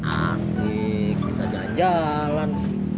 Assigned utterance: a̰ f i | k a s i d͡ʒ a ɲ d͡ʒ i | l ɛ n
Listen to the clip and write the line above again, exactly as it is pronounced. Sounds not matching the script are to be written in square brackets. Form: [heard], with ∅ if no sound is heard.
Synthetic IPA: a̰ [s] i | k [i] s [a] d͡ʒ a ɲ d͡ʒ [a] | l [a] n

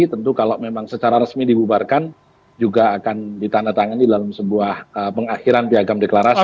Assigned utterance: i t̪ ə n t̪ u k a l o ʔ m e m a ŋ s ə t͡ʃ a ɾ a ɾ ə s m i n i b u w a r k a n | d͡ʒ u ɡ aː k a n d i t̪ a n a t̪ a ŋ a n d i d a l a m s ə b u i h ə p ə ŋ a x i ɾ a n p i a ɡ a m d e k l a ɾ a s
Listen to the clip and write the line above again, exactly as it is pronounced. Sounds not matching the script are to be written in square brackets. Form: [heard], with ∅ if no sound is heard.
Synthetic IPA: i t̪ ə n t̪ u k a l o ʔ m e m a ŋ s ə t͡ʃ a ɾ a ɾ ə s m i [d] i b u [b] a r k a n | d͡ʒ u ɡ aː k a n d i t̪ a n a t̪ a ŋ a n d i d a l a m s ə b u [a] h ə p ə ŋ a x i ɾ a n p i a ɡ a m d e k l a ɾ a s

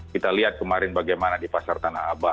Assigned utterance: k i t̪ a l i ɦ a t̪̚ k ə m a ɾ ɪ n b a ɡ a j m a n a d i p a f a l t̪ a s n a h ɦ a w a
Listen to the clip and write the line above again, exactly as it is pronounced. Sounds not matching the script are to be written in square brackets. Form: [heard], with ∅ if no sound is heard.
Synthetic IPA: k i t̪ a l i ɦ a t̪̚ k ə m a ɾ ɪ n b a ɡ a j m a n a d i p a [s] a [r] t̪ a [∅] n a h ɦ a [b] a

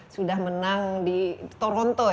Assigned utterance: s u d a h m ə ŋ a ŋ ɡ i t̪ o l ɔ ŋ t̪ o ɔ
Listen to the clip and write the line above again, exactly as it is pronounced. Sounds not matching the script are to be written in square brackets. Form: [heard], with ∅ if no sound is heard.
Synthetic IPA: s u d a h m ə [n] a ŋ [d] i t̪ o [ɾ] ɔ [n] t̪ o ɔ

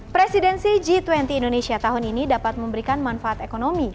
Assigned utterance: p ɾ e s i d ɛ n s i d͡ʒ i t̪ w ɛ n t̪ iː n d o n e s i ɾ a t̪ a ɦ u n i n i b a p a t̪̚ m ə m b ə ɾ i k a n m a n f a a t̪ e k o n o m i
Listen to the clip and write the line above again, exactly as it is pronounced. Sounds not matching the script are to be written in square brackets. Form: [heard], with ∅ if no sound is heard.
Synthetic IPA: p ɾ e s i d ɛ n s i d͡ʒ i t̪ w ɛ n t̪ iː n d o n e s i [∅] a t̪ a ɦ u n i n i [d] a p a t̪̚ m ə m b ə ɾ i k a n m a n f a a t̪ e k o n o m i

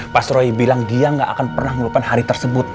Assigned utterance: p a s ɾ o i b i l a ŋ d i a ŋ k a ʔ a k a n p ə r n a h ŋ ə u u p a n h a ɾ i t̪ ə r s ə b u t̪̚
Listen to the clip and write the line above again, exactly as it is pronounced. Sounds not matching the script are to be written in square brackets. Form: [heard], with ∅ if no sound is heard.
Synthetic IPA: p a s ɾ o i b i l a ŋ d i a ŋ [ɡ] a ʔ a k a n p ə r n a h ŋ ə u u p a n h a ɾ i t̪ ə r s ə b [ʊ] t̪̚

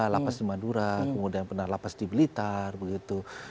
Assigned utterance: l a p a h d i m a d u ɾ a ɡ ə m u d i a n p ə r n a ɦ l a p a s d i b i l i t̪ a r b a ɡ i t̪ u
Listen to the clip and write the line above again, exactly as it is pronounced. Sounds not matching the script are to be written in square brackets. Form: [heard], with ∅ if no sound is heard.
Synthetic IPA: l a p a [s] d i m a d u ɾ a [k] ə m u d i a n p ə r n a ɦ l a p a s d i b i l i t̪ a r b [ə] ɡ i t̪ u

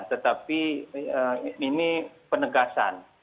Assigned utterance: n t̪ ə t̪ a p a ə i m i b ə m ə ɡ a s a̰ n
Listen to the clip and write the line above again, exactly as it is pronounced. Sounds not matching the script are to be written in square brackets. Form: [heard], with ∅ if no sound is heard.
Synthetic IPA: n t̪ ə t̪ a p [i] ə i [n] i [p] ə [n] ə ɡ a s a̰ n

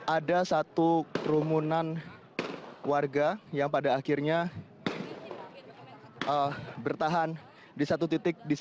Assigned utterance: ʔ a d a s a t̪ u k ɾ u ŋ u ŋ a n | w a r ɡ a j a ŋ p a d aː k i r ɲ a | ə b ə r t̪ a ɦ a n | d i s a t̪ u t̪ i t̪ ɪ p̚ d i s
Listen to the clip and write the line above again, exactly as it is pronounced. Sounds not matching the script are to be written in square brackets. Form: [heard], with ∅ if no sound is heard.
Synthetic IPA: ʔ a d a s a t̪ u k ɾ u [m] u [n] a n | w a r ɡ a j a ŋ p a d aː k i r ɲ a | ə b ə r t̪ a ɦ a n | d i s a t̪ u t̪ i t̪ ɪ [k̚] d i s

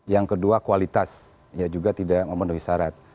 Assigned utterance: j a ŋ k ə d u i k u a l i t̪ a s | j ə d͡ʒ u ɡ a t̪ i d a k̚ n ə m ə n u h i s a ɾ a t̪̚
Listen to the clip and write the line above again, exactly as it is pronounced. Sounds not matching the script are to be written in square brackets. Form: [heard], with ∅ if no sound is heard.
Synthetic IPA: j a ŋ k ə d u [a] k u a l i t̪ a s | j [a] d͡ʒ u ɡ a t̪ i d a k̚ [m] ə m ə n u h i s a ɾ a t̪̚

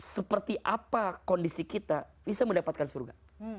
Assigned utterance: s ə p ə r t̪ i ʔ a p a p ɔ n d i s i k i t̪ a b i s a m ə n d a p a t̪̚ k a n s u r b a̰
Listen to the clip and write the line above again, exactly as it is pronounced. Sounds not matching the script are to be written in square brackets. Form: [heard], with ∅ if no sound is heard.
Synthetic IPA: s ə p ə r t̪ i ʔ a p a [k] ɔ n d i s i k i t̪ a b i s a m ə n d a p a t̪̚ k a n s u r [ɡ] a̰

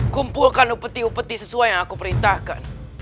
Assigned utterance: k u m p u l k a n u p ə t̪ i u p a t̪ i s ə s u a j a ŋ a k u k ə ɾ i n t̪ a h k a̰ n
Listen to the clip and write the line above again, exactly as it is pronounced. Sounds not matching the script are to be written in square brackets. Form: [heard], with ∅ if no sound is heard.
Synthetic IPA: k u m p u l k a n u p ə t̪ i u p [ə] t̪ i s ə s u a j a ŋ a k u [p] ə ɾ i n t̪ a h k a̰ n

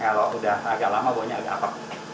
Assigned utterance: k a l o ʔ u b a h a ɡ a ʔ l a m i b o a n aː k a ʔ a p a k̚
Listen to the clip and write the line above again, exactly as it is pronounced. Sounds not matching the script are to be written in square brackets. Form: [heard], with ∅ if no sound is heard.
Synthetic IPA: k a l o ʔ u [d] a h a ɡ a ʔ l a m [a] b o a [ɲ] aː [ɡ] a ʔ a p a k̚

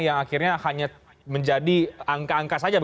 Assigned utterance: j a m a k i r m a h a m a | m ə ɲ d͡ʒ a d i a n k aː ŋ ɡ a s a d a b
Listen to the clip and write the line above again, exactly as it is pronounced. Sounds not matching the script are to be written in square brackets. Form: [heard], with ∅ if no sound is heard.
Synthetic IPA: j a [ŋ] a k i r [ɲ] a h a [ɲ] a | m ə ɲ d͡ʒ a d i a [ŋ] k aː ŋ [k] a s a [d͡ʒ] a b

